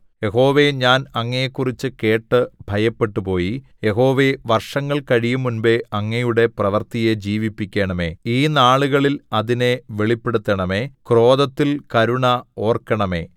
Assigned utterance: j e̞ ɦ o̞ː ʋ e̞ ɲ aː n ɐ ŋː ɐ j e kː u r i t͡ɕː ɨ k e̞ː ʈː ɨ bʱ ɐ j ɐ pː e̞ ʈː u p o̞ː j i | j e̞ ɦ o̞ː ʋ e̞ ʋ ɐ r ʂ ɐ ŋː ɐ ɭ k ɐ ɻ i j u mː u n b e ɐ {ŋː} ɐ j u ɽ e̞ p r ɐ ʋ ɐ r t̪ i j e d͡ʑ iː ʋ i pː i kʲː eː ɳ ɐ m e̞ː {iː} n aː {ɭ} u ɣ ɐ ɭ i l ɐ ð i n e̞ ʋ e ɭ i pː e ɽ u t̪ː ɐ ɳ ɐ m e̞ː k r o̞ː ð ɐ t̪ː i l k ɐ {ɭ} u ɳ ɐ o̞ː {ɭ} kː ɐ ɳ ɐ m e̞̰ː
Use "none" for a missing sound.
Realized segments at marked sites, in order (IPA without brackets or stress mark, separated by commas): ŋː, iː, ɭ, ɾ, r